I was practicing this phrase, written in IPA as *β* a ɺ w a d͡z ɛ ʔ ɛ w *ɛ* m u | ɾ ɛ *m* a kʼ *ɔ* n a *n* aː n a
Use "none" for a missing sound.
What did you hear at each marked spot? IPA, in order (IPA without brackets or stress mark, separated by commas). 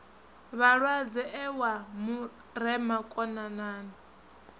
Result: β, a, m, ɔ, n